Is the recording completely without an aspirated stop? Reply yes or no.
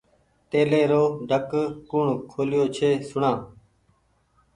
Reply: no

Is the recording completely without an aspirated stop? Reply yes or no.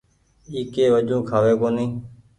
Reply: no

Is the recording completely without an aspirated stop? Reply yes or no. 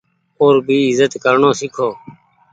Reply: no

